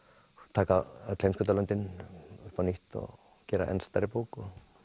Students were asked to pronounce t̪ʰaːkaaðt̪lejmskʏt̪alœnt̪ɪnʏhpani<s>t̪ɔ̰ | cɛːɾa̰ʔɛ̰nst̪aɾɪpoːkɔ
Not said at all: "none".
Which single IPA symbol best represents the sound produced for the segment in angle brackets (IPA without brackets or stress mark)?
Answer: h